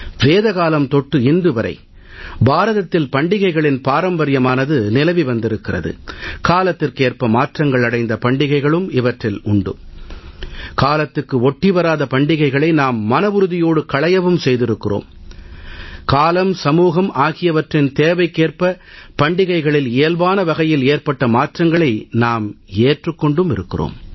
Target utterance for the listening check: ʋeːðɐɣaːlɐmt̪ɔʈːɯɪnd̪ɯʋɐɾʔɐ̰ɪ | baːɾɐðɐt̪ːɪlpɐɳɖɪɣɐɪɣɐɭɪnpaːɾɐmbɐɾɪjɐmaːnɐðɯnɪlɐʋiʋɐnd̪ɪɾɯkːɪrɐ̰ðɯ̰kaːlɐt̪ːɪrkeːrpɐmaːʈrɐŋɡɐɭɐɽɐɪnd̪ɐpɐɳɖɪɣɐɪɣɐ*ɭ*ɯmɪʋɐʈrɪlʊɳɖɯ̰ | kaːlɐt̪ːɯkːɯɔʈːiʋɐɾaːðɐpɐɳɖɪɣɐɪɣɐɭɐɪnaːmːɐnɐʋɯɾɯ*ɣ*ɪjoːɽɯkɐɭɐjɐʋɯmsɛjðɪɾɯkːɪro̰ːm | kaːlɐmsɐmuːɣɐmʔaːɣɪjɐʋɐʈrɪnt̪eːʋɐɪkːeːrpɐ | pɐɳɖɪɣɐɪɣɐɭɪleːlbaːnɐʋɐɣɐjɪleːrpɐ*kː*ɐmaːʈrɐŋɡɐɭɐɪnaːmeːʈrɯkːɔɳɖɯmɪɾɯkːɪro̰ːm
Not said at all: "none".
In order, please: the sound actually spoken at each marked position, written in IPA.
ɭ, ð, ʈː

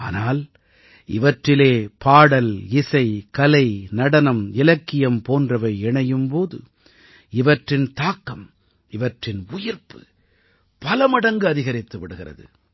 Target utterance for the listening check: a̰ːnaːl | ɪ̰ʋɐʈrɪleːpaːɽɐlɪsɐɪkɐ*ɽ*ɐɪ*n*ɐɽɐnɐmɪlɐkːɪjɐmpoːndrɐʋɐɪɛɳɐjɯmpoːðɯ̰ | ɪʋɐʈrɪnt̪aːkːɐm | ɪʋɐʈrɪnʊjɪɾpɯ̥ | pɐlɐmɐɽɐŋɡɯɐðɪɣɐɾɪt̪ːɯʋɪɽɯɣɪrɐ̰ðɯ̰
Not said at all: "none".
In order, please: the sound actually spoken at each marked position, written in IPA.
l, n

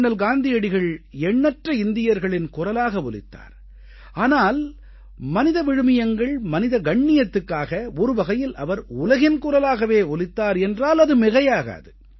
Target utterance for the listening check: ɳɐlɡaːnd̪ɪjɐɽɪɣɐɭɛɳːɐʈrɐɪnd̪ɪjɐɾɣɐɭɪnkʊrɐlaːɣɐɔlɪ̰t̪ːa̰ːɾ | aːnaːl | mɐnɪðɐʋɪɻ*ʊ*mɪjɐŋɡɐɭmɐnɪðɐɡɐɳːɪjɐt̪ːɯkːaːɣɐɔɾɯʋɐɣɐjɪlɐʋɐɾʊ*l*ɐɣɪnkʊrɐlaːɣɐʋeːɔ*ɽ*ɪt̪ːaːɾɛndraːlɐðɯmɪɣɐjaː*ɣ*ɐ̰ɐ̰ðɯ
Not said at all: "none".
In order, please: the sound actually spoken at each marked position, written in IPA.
ɯ, l, l, ɣ

